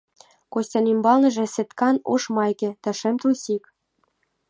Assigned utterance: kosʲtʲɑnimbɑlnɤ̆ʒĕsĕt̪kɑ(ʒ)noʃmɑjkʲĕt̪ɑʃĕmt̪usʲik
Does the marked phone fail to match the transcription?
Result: yes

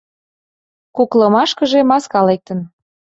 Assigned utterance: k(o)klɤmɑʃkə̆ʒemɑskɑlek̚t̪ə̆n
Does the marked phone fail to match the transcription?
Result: yes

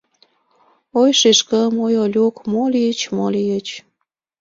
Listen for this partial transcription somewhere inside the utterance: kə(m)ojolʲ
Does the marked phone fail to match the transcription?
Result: no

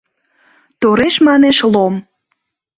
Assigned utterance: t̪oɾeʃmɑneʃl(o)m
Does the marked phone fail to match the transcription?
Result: no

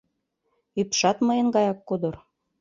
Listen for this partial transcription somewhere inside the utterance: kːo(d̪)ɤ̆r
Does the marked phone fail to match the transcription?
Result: no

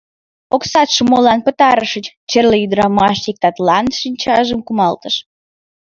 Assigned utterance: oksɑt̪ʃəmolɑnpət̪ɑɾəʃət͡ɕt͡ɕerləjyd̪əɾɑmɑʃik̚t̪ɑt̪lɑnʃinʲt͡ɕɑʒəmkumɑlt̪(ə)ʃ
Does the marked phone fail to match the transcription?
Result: no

